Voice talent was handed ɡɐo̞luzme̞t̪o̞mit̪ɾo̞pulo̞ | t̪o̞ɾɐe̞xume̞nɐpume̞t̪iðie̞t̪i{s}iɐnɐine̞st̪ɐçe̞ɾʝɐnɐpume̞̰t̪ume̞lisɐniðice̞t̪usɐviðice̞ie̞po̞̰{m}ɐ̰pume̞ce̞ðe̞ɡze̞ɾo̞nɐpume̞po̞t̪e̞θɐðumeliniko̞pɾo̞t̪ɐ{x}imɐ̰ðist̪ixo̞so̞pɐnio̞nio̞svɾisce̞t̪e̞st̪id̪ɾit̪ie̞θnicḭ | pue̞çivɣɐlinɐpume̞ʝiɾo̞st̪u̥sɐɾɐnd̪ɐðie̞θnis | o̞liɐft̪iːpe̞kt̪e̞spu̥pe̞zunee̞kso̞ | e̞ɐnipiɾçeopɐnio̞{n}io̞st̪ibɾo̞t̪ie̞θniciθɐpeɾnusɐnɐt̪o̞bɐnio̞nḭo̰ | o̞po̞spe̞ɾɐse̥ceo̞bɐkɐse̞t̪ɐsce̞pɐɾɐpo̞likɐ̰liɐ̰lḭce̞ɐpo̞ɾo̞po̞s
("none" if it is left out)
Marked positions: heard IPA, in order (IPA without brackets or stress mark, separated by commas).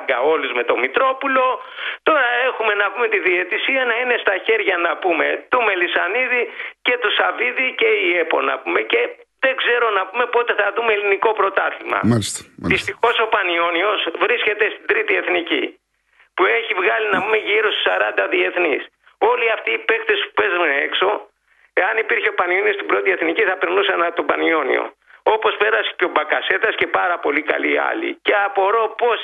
s, n, θ, n